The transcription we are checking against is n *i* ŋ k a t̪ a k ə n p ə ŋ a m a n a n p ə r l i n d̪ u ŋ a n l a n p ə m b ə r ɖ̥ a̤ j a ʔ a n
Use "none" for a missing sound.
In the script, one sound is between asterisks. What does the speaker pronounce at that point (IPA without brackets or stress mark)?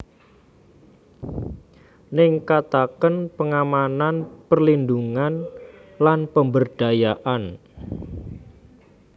ɪ